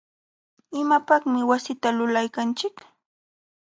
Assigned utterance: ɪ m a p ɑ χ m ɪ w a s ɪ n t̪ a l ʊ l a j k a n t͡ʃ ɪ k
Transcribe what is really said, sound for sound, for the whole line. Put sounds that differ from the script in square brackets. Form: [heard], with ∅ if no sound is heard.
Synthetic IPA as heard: ɪ m a p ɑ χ m ɪ w a s ɪ [∅] t̪ a l ʊ l a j k a n t͡ʃ ɪ k